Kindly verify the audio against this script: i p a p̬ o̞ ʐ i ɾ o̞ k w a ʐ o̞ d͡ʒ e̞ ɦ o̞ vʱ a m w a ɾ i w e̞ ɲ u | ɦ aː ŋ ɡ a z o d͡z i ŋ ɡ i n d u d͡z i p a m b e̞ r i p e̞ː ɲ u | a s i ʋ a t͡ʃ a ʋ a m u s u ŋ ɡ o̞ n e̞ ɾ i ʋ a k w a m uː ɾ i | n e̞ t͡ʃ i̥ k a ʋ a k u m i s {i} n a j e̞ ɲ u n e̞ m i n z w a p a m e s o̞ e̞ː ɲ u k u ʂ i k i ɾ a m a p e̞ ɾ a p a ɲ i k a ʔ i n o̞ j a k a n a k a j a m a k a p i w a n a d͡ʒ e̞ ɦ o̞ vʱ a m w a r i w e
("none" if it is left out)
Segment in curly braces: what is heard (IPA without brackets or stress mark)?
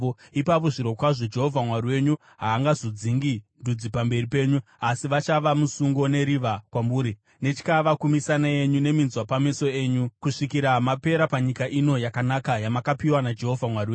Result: a